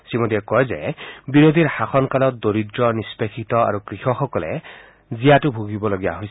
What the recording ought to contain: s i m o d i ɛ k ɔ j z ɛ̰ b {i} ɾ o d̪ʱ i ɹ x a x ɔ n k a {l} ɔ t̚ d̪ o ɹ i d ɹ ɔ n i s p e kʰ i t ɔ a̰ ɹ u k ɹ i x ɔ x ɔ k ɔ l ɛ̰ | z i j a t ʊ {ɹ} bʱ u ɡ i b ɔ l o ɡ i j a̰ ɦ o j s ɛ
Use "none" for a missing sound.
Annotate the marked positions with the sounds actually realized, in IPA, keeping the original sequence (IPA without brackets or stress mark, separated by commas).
i, l, none